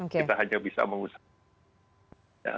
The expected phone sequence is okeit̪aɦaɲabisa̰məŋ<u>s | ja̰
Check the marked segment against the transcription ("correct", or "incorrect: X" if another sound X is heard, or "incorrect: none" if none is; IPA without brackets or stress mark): correct